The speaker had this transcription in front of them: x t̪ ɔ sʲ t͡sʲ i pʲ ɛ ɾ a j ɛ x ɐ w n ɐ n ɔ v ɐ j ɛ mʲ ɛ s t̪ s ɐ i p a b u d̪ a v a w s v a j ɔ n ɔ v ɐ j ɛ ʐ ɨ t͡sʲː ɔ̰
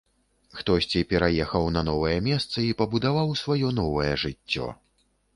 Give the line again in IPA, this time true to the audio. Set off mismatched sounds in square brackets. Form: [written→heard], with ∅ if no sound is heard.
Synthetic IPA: x t̪ ɔ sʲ t͡sʲ i pʲ ɛ ɾ a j ɛ x ɐ w n ɐ n ɔ v ɐ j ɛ mʲ ɛ s t̪ s ɐ i p [a→ɐ] b u d̪ a v a w s v a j ɔ n ɔ v ɐ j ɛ ʐ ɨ t͡sʲː ɔ̰